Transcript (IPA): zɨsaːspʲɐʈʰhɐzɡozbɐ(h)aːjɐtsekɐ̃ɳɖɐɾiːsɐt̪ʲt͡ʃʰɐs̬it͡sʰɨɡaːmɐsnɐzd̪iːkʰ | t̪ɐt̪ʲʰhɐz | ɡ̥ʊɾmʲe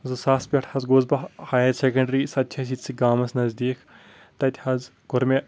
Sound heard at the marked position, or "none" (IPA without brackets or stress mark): h